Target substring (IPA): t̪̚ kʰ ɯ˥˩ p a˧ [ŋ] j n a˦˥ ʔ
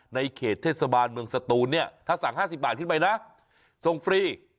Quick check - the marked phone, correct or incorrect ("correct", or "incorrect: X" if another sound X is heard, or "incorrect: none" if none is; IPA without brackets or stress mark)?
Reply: incorrect: none